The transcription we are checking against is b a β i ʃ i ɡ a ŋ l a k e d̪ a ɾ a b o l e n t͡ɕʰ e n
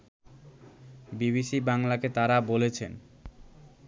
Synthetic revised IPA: b i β i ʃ i b a ŋ l a k e t̪ a ɾ a b o l e t͡ɕʰ e n